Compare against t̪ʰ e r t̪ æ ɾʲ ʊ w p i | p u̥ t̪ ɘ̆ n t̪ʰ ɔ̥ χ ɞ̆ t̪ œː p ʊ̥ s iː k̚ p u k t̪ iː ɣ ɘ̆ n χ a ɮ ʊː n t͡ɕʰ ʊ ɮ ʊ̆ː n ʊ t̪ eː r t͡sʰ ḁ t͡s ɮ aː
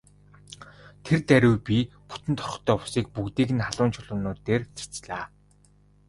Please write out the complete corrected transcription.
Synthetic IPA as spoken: t̪ʰ e r t̪ æ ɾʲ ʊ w p i | p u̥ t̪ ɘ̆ n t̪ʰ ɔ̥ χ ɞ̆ t̪ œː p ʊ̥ s iː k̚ p u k t̪ iː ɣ ɘ̆ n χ a ɮ ʊː n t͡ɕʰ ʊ ɮ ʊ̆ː n ʊː t̪ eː r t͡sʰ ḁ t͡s ɮ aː